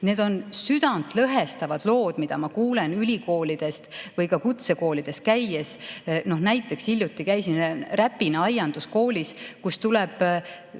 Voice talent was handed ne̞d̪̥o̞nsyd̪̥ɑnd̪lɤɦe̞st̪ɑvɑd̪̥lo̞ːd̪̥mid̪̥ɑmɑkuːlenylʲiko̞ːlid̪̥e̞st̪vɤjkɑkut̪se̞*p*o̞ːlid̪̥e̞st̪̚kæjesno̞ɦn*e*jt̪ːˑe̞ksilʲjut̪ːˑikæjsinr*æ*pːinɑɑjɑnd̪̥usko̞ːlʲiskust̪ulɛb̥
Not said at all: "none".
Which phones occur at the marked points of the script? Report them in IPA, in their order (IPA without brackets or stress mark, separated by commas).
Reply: k, æ, æ